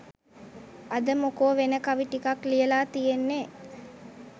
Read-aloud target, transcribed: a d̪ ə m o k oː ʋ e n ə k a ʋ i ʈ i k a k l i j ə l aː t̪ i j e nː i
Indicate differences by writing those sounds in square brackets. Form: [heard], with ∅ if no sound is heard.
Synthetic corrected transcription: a d̪ ə m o k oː ʋ e n ə k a ʋ i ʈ i k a k l i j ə l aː t̪ i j e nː [e]